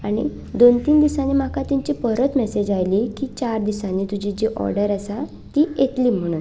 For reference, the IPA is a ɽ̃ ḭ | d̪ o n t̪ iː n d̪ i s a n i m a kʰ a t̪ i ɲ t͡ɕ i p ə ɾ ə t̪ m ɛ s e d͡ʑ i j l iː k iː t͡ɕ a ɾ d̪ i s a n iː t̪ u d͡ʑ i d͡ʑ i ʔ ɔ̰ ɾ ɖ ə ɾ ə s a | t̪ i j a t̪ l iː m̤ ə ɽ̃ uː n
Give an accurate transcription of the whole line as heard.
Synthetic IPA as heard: a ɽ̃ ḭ | d̪ o n t̪ iː n d̪ i s a n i m a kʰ a t̪ i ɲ t͡ɕ i p ə ɾ ə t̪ m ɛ s e d͡ʑ a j l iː k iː t͡ɕ a ɾ d̪ i s a n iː t̪ u d͡ʑ i d͡ʑ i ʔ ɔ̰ ɾ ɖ ə ɾ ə s a | t̪ i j e t̪ l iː m̤ ə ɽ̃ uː n